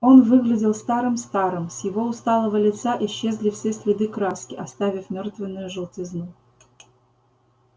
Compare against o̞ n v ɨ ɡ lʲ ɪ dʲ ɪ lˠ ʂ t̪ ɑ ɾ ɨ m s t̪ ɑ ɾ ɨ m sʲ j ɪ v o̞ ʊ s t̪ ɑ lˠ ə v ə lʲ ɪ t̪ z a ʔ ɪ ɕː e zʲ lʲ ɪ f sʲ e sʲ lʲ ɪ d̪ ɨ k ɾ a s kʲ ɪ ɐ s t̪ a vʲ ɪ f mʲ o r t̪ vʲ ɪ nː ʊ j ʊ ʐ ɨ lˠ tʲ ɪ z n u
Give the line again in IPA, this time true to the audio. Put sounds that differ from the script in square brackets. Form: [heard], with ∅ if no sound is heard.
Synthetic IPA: o̞ n v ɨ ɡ lʲ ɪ dʲ ɪ lˠ [s] t̪ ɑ ɾ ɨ m s t̪ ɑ ɾ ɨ m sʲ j ɪ v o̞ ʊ s t̪ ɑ lˠ ə v ə lʲ ɪ t̪ [s] a ʔ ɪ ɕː e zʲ lʲ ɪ f sʲ e sʲ lʲ ɪ d̪ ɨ k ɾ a s kʲ ɪ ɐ s t̪ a vʲ ɪ f mʲ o r t̪ vʲ ɪ nː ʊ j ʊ ʐ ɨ lˠ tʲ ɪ z n u